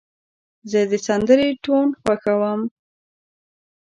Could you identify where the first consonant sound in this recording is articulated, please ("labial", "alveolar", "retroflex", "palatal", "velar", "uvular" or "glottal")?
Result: alveolar